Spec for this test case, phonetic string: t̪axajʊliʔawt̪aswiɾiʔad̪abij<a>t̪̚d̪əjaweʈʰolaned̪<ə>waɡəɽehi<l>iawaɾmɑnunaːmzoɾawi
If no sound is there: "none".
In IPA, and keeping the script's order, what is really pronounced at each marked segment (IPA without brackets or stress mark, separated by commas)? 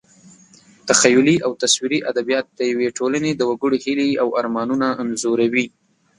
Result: ɑ, ə, l